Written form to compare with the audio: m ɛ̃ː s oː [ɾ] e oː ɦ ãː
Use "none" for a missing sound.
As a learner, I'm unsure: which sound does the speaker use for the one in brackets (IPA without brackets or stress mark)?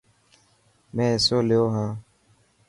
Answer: l